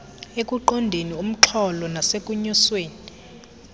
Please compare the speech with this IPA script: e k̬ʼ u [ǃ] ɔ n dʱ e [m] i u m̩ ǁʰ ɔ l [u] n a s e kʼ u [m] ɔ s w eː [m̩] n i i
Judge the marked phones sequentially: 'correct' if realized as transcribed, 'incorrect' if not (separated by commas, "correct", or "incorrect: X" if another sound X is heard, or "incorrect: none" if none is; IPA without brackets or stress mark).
correct, incorrect: n, incorrect: ɔ, incorrect: ɲ, incorrect: none